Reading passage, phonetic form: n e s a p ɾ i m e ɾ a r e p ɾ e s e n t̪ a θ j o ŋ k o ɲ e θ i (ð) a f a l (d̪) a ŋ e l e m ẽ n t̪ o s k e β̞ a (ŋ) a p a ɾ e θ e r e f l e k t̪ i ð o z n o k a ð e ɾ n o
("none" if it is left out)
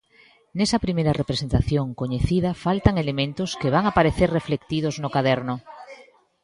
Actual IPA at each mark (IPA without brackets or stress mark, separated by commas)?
ð, t̪, ŋ